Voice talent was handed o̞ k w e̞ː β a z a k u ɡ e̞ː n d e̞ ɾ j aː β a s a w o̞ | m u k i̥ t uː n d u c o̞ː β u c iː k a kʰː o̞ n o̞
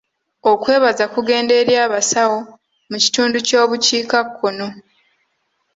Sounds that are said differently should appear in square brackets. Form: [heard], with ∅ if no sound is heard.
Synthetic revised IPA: o̞ k w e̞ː β a z a k u ɡ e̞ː n d e̞ ɾ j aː β a s a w o̞ | m u [c] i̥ t uː n d u c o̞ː β u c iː k a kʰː o̞ n o̞